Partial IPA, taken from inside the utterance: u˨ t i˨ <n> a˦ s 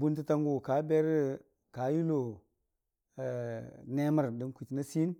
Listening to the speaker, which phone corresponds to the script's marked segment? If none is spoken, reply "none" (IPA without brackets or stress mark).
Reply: n